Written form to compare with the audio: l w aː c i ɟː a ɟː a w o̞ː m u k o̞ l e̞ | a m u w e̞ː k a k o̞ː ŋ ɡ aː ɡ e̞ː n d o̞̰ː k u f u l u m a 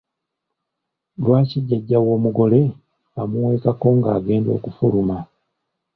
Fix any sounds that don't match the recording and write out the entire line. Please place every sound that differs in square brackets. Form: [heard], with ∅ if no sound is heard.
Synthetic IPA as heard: l w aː c i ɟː a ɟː a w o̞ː m u [ɡ] o̞ l e̞ | a m u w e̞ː k a k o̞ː ŋ ɡ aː ɡ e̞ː n d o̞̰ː k u f u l u m a